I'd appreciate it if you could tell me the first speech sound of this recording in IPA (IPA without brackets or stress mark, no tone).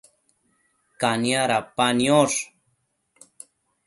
k